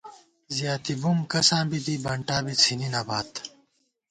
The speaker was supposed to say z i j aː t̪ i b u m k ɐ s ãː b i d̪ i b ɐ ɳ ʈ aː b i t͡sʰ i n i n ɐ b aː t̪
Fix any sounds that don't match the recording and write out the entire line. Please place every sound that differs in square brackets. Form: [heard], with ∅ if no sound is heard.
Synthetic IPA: z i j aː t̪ i b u m k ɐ s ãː b i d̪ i b ɐ ɳ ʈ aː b i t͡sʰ i n i n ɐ b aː t̪